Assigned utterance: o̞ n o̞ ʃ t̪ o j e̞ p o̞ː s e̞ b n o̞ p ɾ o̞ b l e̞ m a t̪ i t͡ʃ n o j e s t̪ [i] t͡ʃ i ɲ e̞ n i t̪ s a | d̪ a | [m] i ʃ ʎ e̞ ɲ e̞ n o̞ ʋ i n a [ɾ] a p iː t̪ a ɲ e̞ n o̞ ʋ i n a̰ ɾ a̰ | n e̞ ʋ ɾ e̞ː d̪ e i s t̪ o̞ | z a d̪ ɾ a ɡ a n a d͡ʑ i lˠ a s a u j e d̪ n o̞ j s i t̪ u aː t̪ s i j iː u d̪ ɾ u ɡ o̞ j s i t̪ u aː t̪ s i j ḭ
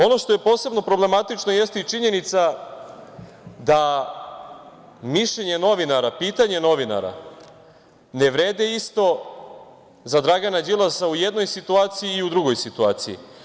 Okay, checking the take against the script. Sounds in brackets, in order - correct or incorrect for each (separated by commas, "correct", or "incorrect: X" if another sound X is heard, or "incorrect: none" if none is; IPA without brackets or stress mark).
correct, correct, correct